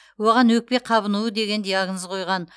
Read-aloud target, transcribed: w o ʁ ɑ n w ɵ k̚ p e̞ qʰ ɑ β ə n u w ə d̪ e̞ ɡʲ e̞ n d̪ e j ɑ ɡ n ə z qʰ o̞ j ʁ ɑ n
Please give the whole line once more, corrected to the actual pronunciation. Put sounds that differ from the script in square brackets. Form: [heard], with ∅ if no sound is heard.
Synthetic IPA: w o ʁ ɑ n w ɵ k̚ p e̞ qʰ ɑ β ə n u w ə d̪ e̞ ɡʲ e̞ n d̪ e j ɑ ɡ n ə z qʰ o̞ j ʁ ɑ n